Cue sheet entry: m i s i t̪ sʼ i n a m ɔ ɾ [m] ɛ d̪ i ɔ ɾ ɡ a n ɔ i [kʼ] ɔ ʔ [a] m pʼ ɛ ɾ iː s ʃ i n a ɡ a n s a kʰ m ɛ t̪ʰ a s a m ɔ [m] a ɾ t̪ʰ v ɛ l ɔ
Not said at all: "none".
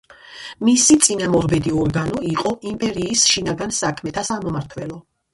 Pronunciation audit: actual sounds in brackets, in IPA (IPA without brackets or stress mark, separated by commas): b, qʼ, i, m